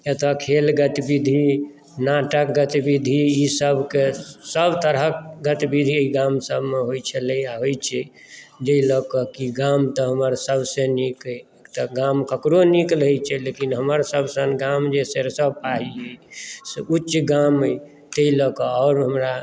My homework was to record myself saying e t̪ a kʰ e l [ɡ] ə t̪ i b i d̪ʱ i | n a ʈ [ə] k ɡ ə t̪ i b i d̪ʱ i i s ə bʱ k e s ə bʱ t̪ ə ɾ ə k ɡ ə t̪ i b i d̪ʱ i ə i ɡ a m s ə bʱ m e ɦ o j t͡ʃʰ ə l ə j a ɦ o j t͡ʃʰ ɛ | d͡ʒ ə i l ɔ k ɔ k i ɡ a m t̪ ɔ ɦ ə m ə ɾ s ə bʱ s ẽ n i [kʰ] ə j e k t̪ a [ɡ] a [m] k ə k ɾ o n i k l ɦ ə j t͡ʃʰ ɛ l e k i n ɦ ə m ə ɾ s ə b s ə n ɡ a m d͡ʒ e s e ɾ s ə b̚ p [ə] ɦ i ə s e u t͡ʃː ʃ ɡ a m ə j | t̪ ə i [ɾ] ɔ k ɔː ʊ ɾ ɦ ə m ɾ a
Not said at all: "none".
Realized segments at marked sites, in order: ɡ, ə, k, ɡ, m, a, l

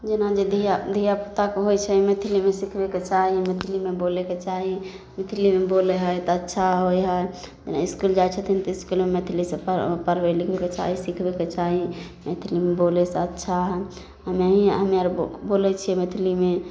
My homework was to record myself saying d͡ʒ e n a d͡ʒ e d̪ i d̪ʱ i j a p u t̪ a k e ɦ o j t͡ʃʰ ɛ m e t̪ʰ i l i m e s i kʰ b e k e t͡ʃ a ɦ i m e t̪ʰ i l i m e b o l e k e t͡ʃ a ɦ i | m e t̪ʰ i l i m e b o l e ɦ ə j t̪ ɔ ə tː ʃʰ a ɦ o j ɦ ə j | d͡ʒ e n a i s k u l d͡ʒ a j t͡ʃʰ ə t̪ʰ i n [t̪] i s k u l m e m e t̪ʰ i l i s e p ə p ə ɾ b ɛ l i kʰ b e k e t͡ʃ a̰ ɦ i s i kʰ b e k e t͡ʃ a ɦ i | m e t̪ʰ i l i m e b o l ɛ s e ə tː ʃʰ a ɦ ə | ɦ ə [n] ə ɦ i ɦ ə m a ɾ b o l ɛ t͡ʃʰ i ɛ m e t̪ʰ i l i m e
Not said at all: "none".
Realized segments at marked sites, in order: t̪, m

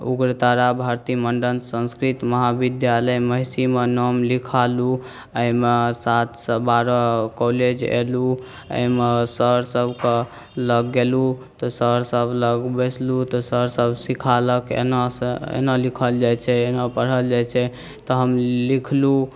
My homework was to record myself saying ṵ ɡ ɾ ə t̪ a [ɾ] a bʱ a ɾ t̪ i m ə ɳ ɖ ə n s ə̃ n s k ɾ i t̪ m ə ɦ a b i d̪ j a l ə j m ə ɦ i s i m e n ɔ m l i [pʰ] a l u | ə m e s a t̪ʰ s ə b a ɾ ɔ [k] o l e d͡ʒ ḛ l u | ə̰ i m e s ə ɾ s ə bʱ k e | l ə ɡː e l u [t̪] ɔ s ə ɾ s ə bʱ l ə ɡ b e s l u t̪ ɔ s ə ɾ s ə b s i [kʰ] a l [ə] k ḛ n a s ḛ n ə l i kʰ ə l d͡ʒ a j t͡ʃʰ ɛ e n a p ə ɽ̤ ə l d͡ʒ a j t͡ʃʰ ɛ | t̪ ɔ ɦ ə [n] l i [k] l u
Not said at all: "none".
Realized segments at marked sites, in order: ɾ, kʰ, k, t̪, kʰ, ə, m, kʰ

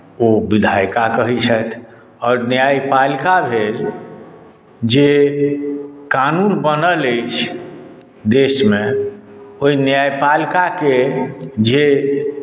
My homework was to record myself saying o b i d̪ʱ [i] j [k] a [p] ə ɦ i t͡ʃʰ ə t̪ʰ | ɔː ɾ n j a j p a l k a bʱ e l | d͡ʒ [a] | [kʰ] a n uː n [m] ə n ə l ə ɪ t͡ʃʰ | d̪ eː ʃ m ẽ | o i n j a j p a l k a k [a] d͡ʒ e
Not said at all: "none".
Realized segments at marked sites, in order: a, k, k, e, k, b, e

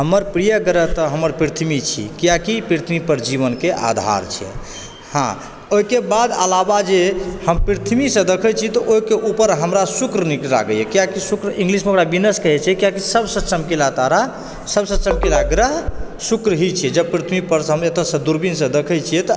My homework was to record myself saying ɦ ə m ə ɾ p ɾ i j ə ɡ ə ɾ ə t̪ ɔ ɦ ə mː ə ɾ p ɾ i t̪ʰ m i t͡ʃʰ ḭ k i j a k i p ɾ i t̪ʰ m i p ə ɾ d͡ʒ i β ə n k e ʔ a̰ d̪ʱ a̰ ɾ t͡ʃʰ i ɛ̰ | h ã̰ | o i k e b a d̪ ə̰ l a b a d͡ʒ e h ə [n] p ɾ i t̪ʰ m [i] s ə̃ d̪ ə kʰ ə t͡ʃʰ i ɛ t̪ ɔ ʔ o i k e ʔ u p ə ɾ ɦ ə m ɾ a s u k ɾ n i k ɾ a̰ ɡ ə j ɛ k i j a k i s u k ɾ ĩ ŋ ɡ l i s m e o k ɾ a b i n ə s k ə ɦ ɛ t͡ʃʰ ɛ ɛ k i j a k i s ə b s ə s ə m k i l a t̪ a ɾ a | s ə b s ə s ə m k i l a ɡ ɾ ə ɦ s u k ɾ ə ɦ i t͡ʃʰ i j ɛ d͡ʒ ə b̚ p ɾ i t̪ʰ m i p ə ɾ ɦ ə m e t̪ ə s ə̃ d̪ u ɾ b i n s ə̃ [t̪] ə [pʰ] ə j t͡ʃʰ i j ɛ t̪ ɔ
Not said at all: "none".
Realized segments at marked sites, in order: m, i, d̪, kʰ

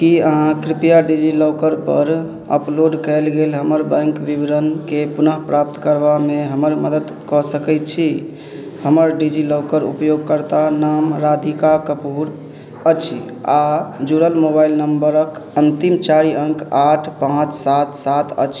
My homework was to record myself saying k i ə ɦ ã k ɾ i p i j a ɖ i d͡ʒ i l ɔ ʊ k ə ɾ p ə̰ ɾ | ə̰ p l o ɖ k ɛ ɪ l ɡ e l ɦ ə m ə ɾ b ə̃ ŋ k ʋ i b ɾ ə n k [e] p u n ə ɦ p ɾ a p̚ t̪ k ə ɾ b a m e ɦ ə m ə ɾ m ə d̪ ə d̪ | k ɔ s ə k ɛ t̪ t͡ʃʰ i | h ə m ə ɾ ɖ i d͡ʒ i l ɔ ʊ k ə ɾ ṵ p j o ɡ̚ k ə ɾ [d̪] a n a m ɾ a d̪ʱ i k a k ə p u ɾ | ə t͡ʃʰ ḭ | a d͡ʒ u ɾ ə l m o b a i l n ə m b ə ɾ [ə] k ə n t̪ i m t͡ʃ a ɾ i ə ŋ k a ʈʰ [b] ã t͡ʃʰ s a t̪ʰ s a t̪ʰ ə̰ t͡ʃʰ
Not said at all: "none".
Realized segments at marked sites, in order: e, t̪, ə, p

